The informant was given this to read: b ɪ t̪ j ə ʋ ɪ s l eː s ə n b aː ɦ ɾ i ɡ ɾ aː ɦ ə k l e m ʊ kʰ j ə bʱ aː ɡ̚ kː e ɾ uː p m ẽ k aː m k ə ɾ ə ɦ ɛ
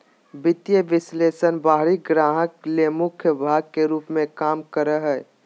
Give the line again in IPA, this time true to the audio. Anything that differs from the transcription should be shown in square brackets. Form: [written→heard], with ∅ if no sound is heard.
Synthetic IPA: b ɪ t̪ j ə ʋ ɪ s l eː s ə n b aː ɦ ɾ i ɡ ɾ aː ɦ ə k l e m ʊ kʰ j ə bʱ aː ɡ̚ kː e ɾ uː p m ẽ k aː m k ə ɾ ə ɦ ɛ